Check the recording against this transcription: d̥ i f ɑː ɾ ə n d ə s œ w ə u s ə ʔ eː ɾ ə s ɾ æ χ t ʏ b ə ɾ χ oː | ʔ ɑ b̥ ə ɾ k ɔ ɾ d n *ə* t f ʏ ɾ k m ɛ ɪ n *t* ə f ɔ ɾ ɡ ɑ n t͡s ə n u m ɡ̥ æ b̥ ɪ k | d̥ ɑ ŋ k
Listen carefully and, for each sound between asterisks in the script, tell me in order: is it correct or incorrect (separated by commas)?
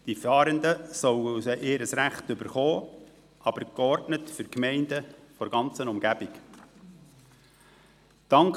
correct, incorrect